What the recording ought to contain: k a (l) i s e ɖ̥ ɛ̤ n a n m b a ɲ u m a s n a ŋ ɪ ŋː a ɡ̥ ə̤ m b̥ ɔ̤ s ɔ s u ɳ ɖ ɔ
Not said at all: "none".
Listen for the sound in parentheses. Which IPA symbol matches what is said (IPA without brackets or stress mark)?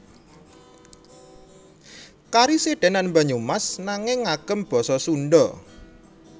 ɾ